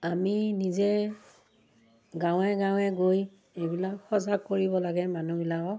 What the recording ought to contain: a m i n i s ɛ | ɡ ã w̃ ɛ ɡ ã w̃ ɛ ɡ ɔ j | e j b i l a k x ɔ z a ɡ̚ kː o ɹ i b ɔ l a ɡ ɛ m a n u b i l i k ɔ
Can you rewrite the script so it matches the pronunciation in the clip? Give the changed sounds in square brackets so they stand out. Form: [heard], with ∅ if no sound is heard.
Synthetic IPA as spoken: a m i n i [z] ɛ | ɡ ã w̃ ɛ ɡ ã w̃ ɛ ɡ [o] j | e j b i l a k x ɔ z a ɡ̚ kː o ɹ i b ɔ l a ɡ ɛ m a n u b i l [a] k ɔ